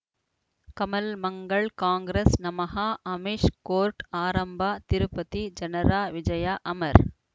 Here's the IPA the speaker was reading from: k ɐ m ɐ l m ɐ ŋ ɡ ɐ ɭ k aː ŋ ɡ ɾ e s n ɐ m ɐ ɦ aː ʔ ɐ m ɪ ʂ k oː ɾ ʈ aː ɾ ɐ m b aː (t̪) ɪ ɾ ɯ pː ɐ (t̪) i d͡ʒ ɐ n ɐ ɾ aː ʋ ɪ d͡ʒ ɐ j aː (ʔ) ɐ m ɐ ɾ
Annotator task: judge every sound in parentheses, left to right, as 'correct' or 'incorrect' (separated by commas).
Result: correct, correct, correct